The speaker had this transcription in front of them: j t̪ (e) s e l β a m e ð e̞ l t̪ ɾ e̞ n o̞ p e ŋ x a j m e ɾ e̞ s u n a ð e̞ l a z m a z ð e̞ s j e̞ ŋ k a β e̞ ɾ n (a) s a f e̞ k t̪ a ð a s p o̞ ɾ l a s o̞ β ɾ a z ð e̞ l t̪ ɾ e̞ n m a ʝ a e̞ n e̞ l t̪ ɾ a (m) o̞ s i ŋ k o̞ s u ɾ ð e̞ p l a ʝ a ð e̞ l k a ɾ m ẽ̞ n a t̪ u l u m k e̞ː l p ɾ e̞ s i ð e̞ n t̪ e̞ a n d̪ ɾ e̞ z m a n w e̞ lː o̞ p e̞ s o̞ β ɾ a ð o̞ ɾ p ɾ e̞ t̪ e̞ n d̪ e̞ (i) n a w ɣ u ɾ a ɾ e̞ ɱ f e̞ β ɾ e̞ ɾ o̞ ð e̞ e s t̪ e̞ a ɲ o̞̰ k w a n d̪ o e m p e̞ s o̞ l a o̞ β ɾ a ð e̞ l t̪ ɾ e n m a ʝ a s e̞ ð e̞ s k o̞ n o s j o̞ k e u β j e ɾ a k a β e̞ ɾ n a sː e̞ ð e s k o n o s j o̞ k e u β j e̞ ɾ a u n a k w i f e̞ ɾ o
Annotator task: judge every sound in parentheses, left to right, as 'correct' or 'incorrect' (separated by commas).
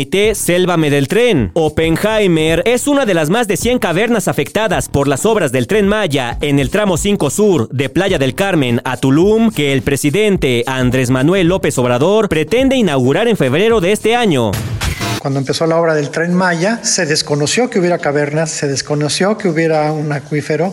correct, correct, correct, correct